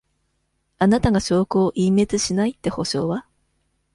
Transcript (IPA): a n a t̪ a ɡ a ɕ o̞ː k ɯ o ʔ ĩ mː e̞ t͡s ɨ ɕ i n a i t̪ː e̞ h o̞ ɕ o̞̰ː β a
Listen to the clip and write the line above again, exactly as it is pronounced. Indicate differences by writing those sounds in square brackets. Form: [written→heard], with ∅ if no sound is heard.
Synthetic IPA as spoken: a n a t̪ a ɡ a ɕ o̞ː k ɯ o ʔ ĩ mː e̞ t͡s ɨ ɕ i n a i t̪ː e̞ h o̞ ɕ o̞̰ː β a